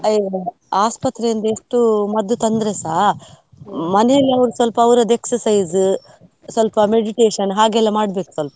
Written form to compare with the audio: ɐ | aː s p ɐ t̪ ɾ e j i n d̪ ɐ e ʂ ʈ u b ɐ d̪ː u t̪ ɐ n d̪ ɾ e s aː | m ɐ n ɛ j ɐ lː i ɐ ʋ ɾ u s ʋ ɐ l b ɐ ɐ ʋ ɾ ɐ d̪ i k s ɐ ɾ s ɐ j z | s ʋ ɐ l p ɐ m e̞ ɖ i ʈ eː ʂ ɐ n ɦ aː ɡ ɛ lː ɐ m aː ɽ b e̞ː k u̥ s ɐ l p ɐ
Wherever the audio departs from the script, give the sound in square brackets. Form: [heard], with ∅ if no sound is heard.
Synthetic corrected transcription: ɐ | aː s p ɐ t̪ ɾ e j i n d̪ ɐ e ʂ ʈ u [m] ɐ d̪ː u t̪ ɐ n d̪ ɾ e s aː | m ɐ n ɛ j ɐ lː i ɐ ʋ ɾ u s ʋ ɐ l [p] ɐ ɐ ʋ ɾ ɐ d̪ [e] k s ɐ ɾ s ɐ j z | s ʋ ɐ l p ɐ m e̞ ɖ i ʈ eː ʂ ɐ n ɦ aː ɡ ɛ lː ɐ m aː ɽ b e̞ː k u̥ s ɐ l p ɐ

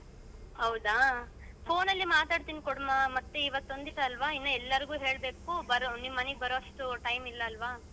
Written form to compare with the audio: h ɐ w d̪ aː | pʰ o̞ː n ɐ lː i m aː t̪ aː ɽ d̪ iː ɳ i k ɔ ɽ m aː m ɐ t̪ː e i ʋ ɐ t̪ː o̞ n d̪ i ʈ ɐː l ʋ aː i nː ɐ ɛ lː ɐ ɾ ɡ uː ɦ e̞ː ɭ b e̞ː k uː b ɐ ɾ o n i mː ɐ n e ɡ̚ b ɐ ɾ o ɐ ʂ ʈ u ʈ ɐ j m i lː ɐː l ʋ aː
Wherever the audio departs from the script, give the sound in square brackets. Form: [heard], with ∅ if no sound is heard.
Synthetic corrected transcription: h ɐ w d̪ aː | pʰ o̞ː n ɐ lː i m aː t̪ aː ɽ [t̪] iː [n] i k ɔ ɽ m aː m ɐ t̪ː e i ʋ ɐ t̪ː o̞ n d̪ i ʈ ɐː l ʋ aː i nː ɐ ɛ lː ɐ ɾ ɡ uː ɦ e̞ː ɭ b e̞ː k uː b ɐ ɾ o n i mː ɐ n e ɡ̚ b ɐ ɾ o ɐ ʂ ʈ u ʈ ɐ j m i lː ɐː l ʋ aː

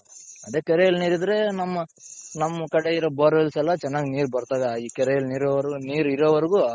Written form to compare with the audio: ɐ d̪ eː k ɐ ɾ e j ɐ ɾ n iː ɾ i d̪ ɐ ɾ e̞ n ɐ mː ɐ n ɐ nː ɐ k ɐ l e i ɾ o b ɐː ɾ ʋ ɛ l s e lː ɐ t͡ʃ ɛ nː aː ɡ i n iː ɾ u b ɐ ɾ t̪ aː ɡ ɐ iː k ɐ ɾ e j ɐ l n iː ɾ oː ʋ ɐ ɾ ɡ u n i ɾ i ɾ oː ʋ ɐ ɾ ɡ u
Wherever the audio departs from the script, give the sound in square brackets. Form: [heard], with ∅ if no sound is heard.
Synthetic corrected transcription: ɐ d̪ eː k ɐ ɾ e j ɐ [l] n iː ɾ i d̪ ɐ ɾ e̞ n ɐ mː ɐ n ɐ [mː] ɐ k ɐ [ɽ] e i ɾ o b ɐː ɾ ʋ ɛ l s [ɛ] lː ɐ t͡ʃ ɛ nː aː ɡ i n iː ɾ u b ɐ ɾ t̪ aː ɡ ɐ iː k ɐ ɾ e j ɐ l n iː ɾ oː ʋ ɐ ɾ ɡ u n [iː] ɾ i ɾ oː ʋ ɐ ɾ ɡ u

